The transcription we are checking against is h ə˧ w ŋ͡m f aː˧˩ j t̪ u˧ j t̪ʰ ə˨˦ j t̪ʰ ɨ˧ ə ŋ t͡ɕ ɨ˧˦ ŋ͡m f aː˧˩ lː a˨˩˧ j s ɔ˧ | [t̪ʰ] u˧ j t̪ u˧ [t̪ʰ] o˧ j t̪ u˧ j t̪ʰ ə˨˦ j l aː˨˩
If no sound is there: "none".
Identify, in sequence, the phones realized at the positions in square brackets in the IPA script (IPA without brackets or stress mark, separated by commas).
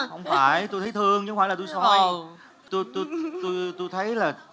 t̪, t̪